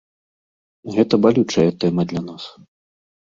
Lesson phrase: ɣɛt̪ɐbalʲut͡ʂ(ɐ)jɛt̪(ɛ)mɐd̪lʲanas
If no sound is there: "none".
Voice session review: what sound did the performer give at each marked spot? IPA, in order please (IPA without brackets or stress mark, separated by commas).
ɐ, ɛ